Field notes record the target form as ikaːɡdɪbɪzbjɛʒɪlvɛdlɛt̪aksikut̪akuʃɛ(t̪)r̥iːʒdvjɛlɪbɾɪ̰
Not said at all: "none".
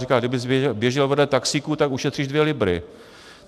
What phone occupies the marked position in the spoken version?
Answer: t̪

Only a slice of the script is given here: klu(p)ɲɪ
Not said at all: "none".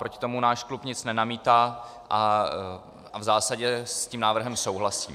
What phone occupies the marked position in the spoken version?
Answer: p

